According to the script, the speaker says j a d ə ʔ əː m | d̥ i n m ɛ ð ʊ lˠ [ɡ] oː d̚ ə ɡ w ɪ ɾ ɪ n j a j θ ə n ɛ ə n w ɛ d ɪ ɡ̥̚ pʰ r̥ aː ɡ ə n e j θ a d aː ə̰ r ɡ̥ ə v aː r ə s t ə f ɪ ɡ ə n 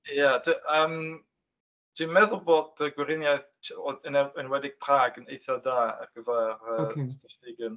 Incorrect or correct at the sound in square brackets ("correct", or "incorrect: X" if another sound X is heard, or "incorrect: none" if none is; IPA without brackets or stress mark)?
incorrect: b